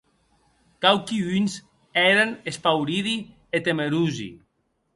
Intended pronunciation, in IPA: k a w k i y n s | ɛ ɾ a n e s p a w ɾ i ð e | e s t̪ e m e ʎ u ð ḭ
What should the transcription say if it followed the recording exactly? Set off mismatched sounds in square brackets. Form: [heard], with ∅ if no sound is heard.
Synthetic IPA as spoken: k a w k i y n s | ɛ ɾ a n e s p a w ɾ i ð [i] | e [∅] t̪ e m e [ɾ] u [z] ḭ

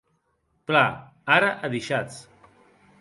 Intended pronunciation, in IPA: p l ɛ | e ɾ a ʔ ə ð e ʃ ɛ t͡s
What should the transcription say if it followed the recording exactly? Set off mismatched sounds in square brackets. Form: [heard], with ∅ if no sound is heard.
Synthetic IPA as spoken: p l [a] | [a] ɾ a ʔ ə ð [i] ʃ [a] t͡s

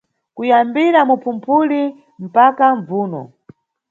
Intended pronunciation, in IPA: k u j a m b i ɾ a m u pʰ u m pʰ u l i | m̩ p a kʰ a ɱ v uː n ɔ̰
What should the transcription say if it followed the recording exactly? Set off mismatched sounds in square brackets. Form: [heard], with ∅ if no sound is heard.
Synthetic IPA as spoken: k u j a m b i ɾ a m u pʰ u m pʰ u l i | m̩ p a [k] a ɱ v uː n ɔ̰

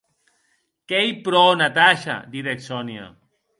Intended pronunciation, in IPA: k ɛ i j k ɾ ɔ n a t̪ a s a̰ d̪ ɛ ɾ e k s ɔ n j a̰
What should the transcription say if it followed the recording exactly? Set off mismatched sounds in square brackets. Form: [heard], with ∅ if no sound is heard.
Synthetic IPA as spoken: k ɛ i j [p] ɾ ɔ n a t̪ a [ʃ] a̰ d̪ [i] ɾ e k s ɔ n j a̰

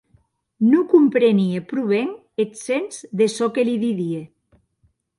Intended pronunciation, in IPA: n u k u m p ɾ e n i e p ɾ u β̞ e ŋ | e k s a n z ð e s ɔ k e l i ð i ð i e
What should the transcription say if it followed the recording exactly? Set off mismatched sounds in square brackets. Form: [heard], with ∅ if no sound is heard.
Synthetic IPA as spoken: n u k u m p ɾ e n i e p ɾ u β̞ e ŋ | e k s [e] n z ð e s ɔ k e l i ð i ð i e

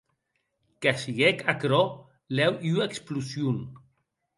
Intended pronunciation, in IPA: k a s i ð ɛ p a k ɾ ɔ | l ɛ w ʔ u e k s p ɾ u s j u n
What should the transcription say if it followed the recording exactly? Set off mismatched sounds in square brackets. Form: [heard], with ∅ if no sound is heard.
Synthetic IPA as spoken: k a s i [ɣ] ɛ [k] a k ɾ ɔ | l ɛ w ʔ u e k s p [l] u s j u n

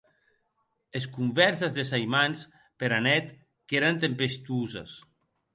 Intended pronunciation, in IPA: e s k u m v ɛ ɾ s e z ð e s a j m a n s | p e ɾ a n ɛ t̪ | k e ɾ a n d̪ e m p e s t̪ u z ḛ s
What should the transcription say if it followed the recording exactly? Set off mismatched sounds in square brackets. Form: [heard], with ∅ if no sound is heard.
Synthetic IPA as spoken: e s k u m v ɛ ɾ s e z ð e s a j m a n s | p e ɾ a n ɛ t̪ | k e ɾ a n [t̪] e m p e s t̪ u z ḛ s

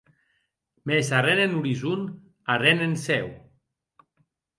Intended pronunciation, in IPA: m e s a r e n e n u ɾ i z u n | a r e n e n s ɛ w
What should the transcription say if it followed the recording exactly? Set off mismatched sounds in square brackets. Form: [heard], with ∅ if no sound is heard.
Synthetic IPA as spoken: m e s a r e n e n u ɾ i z u n | a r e n e n s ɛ w

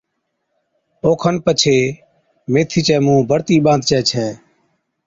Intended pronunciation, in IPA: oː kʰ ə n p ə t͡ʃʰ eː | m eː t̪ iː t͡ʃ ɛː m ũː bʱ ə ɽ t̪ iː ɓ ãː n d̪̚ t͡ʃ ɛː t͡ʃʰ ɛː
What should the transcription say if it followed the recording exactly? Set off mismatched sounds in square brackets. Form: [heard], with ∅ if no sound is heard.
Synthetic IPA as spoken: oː kʰ ə n p ə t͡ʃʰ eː | m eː [t̪ʰ] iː t͡ʃ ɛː m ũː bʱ ə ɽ t̪ iː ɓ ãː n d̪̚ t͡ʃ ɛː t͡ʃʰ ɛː

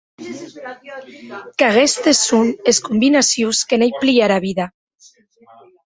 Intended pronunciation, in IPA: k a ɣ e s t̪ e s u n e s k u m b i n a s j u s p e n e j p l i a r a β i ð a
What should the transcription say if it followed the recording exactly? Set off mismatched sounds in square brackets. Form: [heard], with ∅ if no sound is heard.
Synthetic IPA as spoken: k a ɣ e s t̪ e s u n e s k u m b i n a s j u s [k] e n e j p l i a [ɾ] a β i ð a

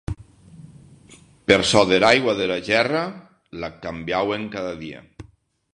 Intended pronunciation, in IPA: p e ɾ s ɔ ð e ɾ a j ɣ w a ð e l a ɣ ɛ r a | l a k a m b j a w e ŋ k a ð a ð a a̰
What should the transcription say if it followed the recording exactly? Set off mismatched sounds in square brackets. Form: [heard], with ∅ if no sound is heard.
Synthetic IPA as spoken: p e ɾ s ɔ ð e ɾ a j ɣ w a ð e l a [ʒ] ɛ r a | l a k a m b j a w e ŋ k a ð a ð [i] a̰

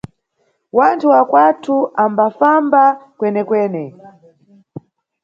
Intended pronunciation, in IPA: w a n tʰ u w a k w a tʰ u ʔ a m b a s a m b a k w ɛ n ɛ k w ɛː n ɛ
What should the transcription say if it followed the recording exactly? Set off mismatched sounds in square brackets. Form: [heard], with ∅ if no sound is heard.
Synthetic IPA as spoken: w a n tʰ u w a k w a tʰ u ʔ a m b a [f] a m b a k w ɛ n ɛ k w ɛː n ɛ

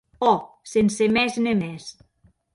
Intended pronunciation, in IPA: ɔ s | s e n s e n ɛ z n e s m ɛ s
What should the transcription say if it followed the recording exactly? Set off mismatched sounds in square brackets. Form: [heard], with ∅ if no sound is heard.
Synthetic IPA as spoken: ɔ [∅] | s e n s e [m] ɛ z n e [∅] m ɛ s

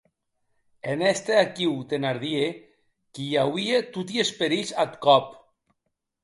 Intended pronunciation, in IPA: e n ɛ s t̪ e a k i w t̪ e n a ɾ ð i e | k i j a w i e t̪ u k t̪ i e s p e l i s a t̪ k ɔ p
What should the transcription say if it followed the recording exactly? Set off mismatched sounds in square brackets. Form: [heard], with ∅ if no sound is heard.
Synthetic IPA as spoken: e n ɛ s t̪ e a k i w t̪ e n a ɾ ð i e | k i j a w i e t̪ u [∅] t̪ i e s p e [ɾ] i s a t̪ k ɔ p

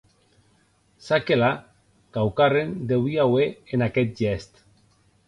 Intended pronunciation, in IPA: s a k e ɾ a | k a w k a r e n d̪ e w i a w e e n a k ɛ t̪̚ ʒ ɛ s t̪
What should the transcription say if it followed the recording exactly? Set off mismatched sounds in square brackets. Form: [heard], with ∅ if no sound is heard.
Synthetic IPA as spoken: s a k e [l] a | k a w k a r e n d̪ e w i a w e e n a k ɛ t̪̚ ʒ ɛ s t̪

